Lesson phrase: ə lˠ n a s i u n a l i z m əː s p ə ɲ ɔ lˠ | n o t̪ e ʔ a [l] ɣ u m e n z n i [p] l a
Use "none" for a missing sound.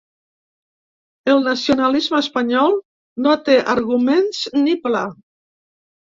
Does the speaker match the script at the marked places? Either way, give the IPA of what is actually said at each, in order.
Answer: ɾ, p

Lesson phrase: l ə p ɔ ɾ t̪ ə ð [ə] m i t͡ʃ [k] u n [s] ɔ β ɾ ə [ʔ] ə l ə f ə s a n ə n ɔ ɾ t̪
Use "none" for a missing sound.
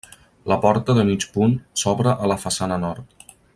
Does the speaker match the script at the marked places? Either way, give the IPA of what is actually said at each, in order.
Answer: ə, p, s, ʔ

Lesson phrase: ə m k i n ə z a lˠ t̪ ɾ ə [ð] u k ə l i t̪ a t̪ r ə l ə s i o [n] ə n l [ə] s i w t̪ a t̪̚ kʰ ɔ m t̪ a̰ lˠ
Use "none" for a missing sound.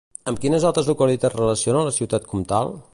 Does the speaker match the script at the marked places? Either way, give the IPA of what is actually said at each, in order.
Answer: z, n, ə

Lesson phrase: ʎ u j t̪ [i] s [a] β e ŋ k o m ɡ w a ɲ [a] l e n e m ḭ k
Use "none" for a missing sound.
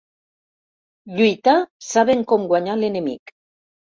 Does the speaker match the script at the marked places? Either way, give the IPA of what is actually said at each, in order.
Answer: a, a, a

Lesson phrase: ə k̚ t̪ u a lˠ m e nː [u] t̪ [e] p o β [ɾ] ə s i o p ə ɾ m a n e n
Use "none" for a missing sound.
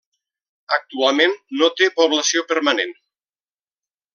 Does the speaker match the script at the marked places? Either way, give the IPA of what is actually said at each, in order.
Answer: o, e, l

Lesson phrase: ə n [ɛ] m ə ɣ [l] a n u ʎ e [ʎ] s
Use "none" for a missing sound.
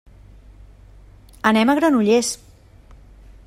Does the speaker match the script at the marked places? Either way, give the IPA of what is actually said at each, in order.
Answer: ɛ, ɾ, none

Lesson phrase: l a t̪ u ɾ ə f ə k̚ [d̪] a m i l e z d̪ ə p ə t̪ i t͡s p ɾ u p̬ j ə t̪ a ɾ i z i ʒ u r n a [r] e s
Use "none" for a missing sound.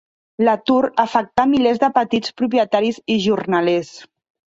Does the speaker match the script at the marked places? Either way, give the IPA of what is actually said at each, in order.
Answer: t̪, l

